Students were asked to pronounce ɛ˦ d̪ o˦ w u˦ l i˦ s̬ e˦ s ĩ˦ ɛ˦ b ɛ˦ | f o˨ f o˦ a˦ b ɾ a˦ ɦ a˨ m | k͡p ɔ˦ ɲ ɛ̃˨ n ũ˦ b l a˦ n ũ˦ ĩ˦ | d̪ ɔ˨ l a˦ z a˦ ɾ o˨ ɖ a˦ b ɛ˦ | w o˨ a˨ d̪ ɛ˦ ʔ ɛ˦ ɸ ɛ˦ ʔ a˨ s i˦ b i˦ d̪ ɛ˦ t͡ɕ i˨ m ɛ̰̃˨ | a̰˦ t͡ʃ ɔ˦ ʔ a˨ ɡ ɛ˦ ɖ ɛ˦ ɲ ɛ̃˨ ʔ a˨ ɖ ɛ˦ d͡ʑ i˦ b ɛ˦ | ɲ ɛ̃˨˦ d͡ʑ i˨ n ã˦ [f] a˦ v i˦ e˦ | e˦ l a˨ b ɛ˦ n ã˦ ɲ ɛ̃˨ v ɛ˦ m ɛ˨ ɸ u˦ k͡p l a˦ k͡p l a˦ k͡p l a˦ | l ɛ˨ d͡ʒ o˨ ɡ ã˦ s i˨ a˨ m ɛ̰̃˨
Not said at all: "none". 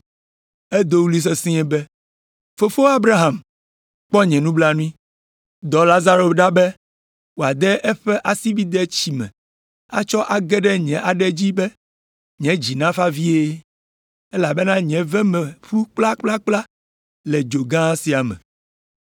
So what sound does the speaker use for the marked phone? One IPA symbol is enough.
f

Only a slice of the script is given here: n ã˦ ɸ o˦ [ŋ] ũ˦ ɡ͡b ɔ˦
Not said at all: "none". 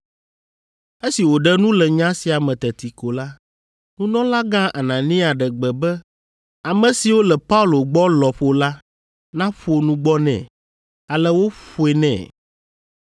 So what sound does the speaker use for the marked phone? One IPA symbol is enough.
n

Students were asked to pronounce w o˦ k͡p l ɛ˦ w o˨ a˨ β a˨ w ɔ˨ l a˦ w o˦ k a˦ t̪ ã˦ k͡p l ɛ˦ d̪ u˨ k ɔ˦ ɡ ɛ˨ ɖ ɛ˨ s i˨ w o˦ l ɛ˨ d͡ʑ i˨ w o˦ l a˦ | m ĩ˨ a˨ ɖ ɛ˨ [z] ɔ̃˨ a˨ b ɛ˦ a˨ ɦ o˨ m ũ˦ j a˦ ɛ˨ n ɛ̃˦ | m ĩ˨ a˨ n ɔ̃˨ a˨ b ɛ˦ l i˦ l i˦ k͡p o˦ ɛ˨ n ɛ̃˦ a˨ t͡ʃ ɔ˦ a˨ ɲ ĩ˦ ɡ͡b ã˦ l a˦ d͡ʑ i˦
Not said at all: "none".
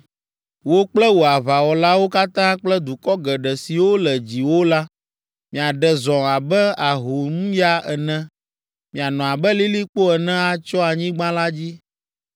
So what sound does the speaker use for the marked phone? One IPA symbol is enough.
z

